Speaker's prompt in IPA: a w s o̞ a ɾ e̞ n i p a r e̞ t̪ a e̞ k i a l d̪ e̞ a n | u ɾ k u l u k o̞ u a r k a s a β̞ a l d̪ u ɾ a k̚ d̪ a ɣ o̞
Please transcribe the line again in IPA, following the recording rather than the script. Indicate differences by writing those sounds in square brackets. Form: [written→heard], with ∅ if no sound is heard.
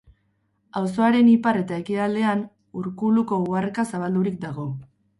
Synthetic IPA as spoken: a w s o̞ a ɾ e̞ n i p a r e̞ t̪ a e̞ k i a l d̪ e̞ a n | u ɾ k u l u k o̞ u a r k a s a β̞ a l d̪ u ɾ [a→i] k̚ d̪ a ɣ o̞